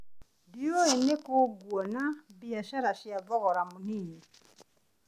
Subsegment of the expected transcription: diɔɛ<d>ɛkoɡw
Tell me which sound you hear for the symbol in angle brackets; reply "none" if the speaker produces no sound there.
n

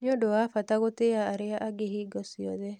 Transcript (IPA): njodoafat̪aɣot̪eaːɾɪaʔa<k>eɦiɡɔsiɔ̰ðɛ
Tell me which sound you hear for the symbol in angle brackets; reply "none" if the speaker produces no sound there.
ɡ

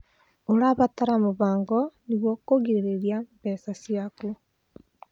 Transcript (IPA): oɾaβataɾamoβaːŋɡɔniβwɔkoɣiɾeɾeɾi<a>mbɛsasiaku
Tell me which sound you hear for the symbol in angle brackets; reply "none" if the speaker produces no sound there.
a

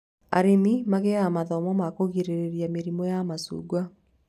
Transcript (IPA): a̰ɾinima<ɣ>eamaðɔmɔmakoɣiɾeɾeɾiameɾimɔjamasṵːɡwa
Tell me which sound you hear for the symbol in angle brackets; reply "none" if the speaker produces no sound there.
ɣ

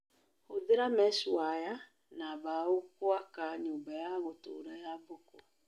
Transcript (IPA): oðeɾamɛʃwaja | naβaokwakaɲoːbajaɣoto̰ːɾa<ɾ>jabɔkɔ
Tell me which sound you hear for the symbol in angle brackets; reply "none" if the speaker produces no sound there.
none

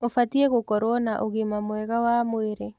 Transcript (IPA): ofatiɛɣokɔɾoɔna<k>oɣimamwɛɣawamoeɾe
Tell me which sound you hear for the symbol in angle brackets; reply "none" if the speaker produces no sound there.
ʔ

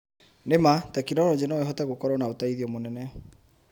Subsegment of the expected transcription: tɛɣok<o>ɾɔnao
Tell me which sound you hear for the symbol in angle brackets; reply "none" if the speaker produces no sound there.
ɔ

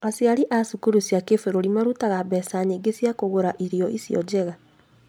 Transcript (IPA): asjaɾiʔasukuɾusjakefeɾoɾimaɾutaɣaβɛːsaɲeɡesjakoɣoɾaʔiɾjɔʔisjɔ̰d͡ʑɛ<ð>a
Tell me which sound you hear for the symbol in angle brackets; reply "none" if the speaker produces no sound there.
ɣ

